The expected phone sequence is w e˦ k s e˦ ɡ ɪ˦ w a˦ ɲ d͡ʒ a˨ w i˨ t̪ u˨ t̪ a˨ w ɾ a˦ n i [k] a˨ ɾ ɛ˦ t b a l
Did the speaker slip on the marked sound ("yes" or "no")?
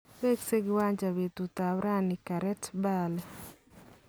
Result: no